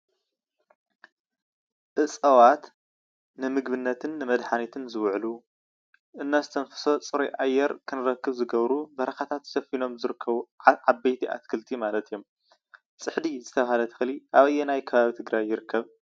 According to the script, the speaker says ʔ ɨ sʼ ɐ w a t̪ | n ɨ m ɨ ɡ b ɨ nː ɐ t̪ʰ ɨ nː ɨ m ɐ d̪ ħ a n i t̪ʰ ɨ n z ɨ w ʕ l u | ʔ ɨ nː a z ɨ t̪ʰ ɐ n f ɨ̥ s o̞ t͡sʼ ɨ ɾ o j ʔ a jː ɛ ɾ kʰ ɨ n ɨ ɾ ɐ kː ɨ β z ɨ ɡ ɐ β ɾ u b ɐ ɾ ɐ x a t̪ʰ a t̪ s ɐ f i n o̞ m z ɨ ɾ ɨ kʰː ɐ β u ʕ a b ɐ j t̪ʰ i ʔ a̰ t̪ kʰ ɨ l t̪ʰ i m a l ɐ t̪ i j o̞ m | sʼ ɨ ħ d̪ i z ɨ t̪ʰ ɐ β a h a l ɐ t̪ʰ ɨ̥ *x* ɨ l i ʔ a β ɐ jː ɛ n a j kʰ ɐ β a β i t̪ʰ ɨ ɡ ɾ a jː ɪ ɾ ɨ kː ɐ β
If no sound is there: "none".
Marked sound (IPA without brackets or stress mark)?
x